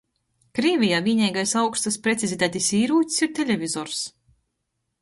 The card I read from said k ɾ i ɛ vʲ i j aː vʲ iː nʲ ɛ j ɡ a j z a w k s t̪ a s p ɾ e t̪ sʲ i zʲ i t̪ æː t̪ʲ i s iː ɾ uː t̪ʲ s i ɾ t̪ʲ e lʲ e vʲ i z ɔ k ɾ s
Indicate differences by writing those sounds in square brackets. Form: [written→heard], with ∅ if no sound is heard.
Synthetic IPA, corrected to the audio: k ɾ i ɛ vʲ i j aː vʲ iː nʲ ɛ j ɡ a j [z→s] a w k s t̪ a s p ɾ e t̪ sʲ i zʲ i t̪ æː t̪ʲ i s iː ɾ uː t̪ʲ s i ɾ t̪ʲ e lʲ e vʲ i z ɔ [k→∅] ɾ s